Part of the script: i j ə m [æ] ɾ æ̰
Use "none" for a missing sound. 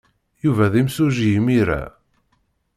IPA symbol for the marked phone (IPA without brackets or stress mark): i